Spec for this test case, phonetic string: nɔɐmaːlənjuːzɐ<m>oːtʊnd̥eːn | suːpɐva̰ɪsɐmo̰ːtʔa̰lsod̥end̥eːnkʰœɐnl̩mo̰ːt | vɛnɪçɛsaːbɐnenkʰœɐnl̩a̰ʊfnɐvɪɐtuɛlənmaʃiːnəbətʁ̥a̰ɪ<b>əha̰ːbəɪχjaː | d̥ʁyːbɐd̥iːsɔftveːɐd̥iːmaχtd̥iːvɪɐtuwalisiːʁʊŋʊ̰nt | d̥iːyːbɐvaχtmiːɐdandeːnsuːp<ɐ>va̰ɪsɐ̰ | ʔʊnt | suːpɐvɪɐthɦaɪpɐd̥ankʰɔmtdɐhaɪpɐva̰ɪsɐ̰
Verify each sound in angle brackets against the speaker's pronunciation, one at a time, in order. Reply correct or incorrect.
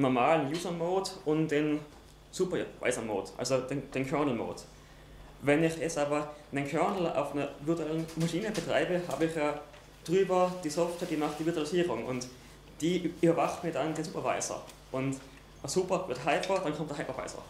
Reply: correct, correct, correct

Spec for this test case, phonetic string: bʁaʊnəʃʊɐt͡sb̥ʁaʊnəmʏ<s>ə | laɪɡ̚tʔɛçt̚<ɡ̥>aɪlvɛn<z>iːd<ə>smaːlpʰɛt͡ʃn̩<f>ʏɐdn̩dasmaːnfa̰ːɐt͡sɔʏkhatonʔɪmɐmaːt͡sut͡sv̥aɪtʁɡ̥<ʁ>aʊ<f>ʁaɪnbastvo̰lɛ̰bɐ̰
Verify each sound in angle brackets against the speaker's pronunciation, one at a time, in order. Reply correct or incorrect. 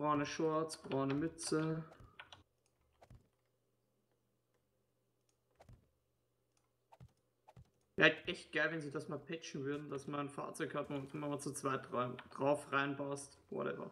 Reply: incorrect, correct, correct, incorrect, incorrect, correct, correct

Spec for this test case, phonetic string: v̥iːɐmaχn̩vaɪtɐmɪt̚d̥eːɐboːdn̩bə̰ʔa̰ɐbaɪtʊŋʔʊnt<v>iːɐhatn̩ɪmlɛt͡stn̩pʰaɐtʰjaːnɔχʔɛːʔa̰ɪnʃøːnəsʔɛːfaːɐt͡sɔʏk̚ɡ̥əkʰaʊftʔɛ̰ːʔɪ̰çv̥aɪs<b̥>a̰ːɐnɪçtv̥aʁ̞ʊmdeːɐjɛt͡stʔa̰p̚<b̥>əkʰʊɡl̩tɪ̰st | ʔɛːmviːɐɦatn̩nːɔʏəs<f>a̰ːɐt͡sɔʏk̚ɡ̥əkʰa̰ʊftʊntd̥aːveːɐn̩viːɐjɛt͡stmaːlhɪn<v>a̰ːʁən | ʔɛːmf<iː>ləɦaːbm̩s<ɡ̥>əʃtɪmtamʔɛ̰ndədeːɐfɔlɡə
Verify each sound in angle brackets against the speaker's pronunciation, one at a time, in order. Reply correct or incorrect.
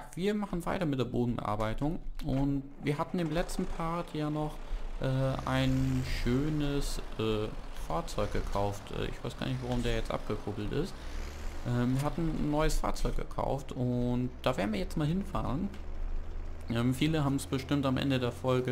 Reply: correct, incorrect, incorrect, correct, incorrect, correct, incorrect

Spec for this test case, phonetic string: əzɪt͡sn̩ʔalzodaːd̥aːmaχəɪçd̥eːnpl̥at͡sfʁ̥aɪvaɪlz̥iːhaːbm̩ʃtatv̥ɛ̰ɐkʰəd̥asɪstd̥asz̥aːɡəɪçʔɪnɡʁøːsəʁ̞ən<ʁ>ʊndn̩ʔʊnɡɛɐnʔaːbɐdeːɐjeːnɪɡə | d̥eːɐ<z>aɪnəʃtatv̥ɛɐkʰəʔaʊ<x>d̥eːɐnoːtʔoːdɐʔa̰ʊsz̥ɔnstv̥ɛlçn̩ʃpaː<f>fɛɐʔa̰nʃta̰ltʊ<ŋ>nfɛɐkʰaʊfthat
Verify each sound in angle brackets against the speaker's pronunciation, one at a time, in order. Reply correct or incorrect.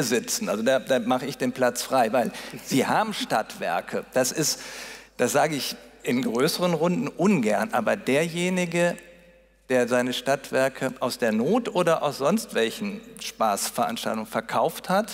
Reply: correct, correct, incorrect, incorrect, correct

